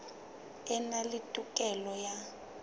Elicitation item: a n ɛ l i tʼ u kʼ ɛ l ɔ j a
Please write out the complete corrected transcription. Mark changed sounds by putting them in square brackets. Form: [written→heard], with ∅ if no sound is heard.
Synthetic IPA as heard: [a→ɛ] n [ɛ→a] l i tʼ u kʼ ɛ l ɔ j a